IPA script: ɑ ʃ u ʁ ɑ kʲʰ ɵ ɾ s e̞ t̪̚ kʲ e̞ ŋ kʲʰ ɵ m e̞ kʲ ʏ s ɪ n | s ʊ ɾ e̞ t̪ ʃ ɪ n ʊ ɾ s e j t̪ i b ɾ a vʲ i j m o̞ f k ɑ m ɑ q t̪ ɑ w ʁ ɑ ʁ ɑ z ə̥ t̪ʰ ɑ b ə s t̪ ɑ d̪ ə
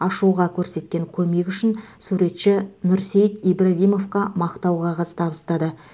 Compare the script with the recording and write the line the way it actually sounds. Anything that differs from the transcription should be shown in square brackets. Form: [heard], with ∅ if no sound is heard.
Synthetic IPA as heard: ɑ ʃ u ʁ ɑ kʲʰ ɵ ɾ s e̞ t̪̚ kʲ e̞ ŋ kʲʰ ɵ m e̞ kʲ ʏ [ʃ] ɪ n | s [u] ɾ e̞ t̪ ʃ ɪ n ʊ ɾ s e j t̪ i b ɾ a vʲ i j m o̞ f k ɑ m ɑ q t̪ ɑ w ʁ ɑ ʁ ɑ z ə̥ t̪ʰ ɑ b ə s t̪ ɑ d̪ ə